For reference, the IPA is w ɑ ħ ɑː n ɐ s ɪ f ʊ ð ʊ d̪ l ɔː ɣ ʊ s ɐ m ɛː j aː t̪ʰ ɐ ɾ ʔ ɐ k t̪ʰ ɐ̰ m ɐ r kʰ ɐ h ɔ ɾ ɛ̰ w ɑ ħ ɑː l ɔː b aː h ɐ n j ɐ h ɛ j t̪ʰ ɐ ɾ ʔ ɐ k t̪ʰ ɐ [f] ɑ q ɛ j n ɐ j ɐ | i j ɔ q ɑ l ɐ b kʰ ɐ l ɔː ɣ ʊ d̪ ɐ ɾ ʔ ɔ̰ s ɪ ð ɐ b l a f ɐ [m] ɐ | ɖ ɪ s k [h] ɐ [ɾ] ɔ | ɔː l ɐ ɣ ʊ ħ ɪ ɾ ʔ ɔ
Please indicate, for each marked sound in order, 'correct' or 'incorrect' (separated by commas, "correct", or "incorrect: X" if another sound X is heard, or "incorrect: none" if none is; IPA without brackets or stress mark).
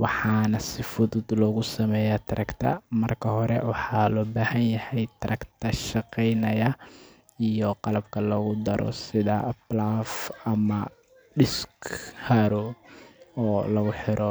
incorrect: ʃ, correct, correct, correct